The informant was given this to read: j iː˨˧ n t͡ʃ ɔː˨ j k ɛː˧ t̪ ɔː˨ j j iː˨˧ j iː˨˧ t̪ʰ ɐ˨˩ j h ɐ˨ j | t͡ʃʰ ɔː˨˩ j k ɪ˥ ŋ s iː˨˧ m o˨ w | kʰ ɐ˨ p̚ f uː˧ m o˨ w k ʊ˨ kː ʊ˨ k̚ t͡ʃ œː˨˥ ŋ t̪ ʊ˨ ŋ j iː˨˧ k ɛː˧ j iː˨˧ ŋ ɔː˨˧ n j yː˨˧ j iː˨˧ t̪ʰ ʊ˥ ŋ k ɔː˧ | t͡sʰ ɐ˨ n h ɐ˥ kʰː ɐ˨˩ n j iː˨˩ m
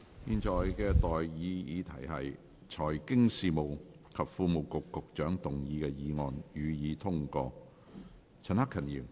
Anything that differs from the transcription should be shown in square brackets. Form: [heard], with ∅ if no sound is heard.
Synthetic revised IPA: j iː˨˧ n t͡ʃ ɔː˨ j k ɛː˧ t̪ ɔː˨ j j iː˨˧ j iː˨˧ t̪ʰ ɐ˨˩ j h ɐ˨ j | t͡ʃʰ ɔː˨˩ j k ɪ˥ ŋ s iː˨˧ m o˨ w | kʰ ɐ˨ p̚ f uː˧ m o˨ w k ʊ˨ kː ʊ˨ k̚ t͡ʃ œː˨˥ ŋ t̪ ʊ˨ ŋ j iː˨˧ k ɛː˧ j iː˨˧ ŋ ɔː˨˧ n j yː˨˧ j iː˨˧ t̪ʰ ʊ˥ ŋ k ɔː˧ | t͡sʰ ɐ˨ n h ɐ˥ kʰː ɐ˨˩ n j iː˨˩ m